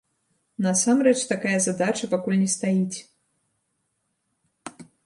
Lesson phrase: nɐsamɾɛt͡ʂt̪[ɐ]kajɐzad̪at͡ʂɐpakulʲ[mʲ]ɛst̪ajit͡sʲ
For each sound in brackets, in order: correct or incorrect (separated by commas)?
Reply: incorrect, incorrect